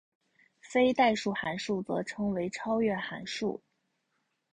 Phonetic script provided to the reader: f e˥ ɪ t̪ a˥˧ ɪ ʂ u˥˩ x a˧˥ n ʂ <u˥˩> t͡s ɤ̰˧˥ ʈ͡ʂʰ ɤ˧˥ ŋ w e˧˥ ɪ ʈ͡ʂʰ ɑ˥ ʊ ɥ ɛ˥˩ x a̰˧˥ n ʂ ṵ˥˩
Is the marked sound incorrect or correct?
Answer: correct